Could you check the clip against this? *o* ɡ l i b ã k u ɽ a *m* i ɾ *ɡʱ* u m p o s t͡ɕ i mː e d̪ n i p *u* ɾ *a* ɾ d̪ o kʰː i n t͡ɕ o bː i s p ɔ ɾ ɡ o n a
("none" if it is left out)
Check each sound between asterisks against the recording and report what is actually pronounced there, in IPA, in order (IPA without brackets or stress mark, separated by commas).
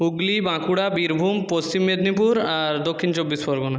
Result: u, b, bʱ, u, a